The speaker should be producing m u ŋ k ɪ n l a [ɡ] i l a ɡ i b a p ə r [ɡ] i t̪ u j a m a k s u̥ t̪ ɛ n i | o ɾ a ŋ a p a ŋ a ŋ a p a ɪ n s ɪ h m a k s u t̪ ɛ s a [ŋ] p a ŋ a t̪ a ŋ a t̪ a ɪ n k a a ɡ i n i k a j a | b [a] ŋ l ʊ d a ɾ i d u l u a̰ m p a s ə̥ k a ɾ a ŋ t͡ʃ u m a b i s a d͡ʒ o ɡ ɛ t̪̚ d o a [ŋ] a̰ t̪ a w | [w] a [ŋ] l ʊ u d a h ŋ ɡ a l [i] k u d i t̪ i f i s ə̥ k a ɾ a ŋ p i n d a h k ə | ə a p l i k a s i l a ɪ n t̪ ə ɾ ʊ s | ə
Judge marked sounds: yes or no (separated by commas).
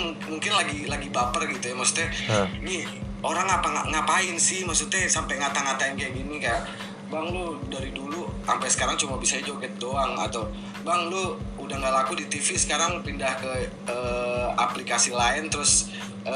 yes, yes, no, yes, yes, no, yes, no